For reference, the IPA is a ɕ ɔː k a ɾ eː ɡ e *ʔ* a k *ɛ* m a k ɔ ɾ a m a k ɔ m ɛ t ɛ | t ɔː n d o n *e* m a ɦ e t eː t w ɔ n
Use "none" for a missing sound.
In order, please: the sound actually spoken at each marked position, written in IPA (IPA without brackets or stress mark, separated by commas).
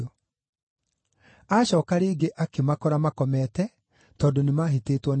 ʔ, e, e